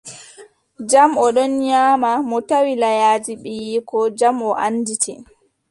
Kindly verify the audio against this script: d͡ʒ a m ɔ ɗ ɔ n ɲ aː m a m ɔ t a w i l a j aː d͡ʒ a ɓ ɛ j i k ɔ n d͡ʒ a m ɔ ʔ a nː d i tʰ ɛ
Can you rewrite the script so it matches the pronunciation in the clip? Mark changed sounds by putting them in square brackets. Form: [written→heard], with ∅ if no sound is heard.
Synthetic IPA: d͡ʒ a m ɔ ɗ ɔ n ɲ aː m a m ɔ t a w i l a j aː d͡ʒ [a→i] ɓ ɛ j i k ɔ [n→∅] d͡ʒ a m ɔ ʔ a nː d i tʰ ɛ